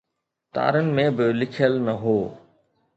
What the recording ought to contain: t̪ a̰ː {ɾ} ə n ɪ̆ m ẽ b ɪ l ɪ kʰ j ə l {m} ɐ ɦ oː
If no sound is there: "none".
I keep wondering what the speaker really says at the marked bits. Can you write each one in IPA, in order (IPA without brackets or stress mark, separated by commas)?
ɾ, n